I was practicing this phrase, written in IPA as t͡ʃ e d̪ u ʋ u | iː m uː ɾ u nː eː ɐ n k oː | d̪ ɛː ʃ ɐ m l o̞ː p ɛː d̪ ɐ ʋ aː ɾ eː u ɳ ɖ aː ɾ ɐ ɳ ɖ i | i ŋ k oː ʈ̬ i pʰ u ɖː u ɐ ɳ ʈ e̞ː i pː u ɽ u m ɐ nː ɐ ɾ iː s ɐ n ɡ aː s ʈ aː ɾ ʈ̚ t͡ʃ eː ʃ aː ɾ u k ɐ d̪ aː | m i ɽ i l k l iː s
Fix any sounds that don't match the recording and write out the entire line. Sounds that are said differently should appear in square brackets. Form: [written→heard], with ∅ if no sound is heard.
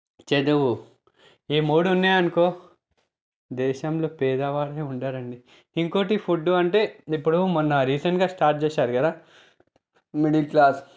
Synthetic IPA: t͡ʃ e d̪ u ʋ u | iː m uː [ɾ→ɽ] u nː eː ɐ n k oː | d̪ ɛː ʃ ɐ m l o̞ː p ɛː d̪ ɐ ʋ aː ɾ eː u ɳ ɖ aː ɾ ɐ ɳ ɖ i | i ŋ k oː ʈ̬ i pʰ u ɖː u ɐ ɳ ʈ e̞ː i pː u ɽ u m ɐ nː ɐ ɾ iː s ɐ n ɡ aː s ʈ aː ɾ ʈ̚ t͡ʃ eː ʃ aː ɾ u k ɐ d̪ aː | m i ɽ i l k l [iː→aː] s